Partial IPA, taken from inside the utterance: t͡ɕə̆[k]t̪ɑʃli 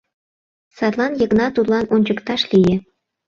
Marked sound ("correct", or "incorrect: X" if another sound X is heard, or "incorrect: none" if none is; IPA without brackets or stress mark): correct